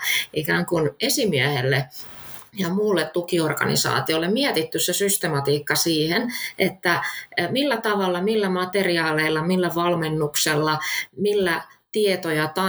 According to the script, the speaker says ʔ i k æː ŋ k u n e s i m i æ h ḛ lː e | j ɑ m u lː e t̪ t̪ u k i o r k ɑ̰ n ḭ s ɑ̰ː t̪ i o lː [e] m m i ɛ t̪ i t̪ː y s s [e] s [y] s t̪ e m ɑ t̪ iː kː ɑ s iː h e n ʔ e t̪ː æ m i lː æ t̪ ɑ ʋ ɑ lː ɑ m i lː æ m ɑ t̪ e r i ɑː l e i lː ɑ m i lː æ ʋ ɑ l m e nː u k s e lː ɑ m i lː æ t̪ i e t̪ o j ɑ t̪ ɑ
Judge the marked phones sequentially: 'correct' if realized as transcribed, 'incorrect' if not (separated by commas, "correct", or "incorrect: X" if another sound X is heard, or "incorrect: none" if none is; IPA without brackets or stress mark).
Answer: correct, correct, correct